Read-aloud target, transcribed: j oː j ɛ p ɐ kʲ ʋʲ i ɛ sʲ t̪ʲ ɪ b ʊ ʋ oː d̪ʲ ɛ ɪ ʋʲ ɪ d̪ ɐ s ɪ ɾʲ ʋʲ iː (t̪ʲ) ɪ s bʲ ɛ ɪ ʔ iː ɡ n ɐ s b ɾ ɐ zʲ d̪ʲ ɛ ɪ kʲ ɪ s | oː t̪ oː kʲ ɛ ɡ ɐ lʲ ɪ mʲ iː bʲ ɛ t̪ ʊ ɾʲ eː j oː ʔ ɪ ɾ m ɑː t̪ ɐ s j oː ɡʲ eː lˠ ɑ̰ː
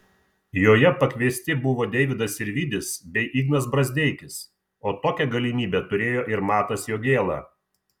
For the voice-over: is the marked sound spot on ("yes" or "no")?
no